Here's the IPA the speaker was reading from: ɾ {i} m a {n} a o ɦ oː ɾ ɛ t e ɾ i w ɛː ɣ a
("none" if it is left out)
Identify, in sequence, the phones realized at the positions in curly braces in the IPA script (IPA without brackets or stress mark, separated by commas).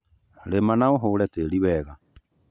e, n